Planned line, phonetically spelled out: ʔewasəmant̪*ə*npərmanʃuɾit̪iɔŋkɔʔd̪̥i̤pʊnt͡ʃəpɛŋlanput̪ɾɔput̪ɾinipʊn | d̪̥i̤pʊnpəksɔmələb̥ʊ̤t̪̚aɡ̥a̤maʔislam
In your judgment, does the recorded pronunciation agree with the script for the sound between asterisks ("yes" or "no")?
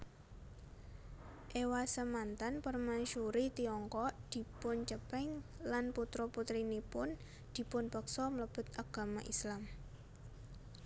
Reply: no